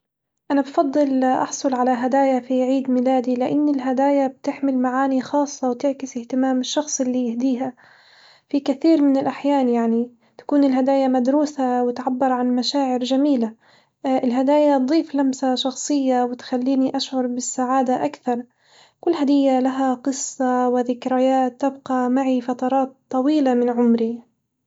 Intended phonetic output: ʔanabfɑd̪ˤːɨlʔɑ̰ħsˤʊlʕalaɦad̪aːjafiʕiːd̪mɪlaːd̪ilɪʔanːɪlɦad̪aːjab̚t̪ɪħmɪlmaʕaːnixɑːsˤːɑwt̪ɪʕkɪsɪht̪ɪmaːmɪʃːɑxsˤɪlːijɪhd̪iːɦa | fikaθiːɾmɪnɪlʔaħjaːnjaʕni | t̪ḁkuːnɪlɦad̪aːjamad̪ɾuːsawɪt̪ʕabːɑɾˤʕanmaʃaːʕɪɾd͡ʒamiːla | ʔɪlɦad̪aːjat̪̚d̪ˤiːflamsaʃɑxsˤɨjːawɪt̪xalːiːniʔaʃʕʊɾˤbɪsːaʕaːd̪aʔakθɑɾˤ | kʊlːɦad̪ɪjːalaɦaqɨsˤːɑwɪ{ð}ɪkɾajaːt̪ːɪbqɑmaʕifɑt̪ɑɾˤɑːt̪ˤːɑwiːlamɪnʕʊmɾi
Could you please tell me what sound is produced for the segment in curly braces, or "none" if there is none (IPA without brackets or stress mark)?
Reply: ð